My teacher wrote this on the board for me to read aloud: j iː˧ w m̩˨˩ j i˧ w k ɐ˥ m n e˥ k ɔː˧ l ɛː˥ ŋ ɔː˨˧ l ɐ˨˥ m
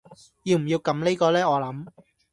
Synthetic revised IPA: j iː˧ w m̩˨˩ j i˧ w k ɐ˨˥ m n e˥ k ɔː˧ l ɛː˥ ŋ ɔː˨˧ l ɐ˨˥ m